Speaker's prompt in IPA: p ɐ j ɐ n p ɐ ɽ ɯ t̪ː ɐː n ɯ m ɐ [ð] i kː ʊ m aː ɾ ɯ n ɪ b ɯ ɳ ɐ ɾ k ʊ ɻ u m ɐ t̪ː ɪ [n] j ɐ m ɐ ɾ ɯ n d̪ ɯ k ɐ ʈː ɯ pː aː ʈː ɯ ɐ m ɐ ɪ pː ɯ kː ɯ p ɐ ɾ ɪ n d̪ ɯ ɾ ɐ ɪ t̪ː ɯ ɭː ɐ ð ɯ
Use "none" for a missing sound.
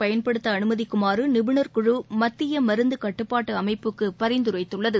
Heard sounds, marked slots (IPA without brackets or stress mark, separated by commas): ð, none